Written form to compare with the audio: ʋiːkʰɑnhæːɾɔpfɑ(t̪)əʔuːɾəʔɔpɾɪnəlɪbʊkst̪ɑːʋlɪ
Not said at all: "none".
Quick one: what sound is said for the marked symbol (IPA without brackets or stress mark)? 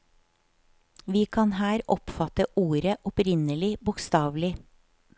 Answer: t̪